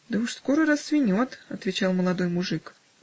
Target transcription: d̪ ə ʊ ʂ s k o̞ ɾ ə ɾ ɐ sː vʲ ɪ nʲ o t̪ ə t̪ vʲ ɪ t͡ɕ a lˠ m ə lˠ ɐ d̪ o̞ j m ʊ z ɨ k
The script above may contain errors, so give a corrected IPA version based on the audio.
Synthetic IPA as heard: d̪ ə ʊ ʂ s k o̞ ɾ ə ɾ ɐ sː vʲ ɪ nʲ o t̪ ɐ t̪ vʲ ɪ t͡ɕ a lˠ m ə lˠ ɐ d̪ o̞ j m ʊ ʐ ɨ k